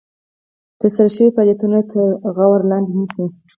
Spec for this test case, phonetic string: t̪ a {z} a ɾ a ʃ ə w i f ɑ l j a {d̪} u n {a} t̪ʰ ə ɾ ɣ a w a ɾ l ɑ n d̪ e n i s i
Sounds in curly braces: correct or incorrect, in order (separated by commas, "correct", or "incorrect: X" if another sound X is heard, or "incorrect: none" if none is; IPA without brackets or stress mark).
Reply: incorrect: s, incorrect: t̪, correct